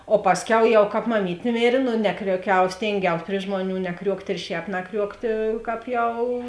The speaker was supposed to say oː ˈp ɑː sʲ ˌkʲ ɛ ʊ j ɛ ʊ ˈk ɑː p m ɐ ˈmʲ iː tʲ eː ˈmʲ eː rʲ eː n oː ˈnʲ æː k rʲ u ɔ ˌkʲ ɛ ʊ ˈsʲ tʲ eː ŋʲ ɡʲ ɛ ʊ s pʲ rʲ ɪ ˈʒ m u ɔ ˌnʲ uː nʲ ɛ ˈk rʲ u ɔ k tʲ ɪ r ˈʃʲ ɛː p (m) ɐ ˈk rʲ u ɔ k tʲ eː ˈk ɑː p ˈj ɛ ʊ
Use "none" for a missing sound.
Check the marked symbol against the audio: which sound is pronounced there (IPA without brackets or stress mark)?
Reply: n